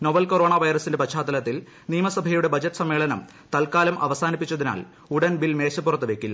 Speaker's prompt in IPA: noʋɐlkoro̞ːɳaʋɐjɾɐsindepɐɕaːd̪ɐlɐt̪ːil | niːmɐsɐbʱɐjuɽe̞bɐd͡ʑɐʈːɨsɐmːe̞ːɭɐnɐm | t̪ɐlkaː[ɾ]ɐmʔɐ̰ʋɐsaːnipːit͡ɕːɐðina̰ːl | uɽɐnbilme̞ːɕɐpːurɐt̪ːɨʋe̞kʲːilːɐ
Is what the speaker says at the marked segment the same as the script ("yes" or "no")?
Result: no